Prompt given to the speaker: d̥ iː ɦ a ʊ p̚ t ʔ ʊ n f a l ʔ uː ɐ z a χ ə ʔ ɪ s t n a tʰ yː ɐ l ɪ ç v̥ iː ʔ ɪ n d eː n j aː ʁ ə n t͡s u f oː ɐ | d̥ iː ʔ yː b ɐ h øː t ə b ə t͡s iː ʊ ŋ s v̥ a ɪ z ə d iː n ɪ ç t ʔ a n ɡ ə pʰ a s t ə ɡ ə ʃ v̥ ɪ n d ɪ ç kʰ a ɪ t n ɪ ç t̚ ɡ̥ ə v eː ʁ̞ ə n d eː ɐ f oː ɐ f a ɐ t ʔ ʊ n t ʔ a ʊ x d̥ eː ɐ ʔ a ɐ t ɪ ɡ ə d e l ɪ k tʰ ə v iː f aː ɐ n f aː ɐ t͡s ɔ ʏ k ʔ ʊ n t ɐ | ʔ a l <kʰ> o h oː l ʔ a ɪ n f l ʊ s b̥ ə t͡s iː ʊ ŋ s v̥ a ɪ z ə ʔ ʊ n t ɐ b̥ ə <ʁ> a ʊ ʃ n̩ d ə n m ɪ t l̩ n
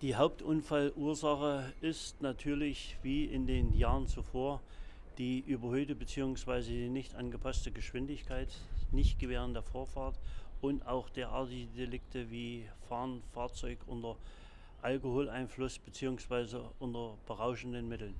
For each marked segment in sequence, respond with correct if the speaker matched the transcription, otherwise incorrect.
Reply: incorrect: k, correct

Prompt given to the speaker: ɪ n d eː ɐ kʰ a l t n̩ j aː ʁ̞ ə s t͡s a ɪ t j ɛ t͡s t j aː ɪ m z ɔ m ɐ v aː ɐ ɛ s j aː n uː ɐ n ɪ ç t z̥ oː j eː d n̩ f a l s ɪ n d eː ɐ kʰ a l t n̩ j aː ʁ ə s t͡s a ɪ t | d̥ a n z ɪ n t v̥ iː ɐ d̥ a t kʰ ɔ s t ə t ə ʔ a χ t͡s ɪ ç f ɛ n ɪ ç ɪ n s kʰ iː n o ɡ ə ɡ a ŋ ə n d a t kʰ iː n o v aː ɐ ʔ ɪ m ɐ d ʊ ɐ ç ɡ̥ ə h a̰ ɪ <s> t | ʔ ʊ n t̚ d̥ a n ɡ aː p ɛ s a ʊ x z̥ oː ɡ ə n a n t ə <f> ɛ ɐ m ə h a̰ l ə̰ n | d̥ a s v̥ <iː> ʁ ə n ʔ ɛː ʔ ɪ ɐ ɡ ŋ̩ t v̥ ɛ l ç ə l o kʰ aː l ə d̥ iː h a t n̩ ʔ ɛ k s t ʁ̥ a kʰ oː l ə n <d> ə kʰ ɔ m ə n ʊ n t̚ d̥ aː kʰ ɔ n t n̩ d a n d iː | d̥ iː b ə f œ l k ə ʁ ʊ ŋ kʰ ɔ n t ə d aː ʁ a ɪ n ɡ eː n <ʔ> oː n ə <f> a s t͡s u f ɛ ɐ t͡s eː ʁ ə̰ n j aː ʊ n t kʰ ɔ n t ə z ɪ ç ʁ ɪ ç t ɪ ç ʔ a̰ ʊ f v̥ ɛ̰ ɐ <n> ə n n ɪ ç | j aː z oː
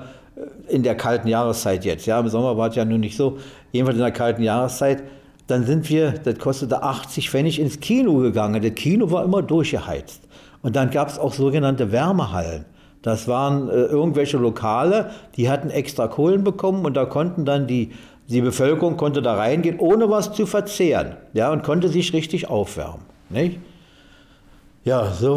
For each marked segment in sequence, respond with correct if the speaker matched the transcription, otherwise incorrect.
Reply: incorrect: t͡s, incorrect: v, incorrect: aː, incorrect: b, correct, incorrect: v, incorrect: m

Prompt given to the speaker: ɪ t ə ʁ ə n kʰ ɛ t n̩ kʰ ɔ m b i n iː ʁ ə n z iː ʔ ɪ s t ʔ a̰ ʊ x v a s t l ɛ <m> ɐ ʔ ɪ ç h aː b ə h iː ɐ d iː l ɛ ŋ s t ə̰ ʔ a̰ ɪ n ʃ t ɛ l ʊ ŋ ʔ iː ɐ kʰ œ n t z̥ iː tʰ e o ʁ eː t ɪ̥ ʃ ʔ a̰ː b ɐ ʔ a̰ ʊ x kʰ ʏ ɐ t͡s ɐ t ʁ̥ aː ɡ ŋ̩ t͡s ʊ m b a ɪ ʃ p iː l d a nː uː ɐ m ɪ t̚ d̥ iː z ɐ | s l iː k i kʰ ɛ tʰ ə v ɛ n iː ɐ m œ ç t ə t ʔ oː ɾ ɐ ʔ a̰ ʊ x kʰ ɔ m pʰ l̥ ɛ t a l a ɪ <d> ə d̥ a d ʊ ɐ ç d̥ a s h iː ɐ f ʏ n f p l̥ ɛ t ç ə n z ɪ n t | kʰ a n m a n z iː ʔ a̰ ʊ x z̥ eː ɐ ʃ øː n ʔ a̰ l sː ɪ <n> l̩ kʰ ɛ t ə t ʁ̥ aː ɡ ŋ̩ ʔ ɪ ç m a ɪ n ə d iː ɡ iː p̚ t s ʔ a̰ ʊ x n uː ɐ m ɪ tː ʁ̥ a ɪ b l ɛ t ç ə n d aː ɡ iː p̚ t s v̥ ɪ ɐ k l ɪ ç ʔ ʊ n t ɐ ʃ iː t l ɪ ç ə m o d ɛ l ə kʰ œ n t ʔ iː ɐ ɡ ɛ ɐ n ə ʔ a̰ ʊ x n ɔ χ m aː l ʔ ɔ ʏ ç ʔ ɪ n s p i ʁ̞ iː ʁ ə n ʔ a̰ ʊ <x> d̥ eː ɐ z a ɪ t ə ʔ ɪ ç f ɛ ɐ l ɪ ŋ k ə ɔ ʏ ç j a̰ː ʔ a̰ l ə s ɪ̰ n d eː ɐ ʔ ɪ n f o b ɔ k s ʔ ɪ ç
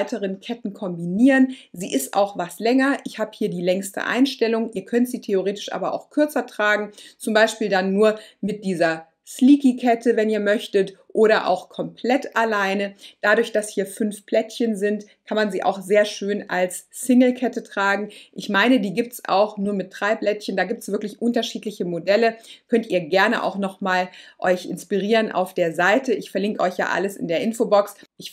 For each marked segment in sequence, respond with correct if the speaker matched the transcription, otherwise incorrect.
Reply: incorrect: ŋ, incorrect: n, incorrect: ŋ, incorrect: f

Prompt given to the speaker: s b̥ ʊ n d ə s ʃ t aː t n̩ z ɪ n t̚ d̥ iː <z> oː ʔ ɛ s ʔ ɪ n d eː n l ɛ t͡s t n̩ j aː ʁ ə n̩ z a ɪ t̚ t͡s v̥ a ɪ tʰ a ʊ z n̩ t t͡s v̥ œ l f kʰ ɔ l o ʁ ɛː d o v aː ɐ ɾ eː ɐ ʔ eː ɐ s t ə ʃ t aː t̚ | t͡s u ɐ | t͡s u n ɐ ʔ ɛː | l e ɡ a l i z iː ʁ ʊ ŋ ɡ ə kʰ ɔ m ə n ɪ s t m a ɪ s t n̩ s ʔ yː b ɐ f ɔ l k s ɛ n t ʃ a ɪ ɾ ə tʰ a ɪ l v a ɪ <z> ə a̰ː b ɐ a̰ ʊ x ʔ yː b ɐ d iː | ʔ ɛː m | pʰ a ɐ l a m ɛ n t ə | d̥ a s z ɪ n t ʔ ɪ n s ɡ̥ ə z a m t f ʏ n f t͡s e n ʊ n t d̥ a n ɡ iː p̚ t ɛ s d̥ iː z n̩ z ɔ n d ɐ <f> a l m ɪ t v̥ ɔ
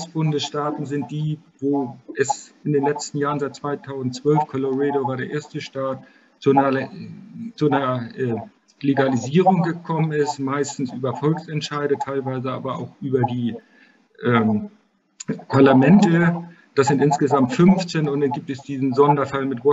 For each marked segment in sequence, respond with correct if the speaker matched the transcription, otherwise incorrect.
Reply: incorrect: v, correct, correct

